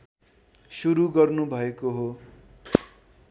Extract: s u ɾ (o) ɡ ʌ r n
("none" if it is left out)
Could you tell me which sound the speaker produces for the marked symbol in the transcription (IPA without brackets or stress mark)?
u